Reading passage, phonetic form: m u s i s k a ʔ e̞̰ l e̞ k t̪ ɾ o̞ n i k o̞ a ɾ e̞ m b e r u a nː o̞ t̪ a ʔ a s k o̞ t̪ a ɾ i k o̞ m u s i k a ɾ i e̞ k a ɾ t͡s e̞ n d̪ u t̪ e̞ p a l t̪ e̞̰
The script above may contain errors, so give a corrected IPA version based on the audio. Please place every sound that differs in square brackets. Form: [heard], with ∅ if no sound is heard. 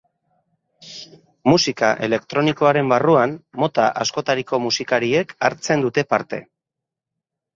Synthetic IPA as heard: m u s i [∅] k a ʔ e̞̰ l e̞ k t̪ ɾ o̞ n i k o̞ a ɾ e̞ m b [a] r u a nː o̞ t̪ a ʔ a s k o̞ t̪ a ɾ i k o̞ m u s i k a ɾ i e̞ k a ɾ t͡s e̞ n d̪ u t̪ e̞ p a [ɾ] t̪ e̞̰